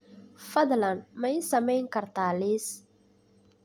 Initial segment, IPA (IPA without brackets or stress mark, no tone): f